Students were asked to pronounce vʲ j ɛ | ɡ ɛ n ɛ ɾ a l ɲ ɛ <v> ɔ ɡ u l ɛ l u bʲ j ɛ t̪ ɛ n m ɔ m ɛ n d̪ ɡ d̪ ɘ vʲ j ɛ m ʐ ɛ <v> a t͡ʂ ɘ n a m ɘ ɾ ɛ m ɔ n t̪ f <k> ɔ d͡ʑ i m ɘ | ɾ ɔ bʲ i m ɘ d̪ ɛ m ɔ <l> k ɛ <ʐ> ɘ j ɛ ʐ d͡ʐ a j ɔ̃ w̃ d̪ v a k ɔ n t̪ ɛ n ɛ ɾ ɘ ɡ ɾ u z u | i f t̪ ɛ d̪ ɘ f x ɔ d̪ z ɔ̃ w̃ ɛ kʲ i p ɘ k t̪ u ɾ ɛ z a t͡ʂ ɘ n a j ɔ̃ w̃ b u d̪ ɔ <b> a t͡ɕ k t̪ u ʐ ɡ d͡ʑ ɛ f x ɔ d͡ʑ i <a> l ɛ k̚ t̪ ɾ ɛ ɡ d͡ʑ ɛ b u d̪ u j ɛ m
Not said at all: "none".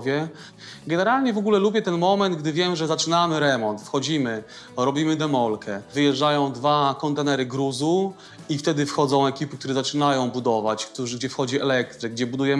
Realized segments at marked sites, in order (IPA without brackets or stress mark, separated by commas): v, z, x, l, v, v, ɛ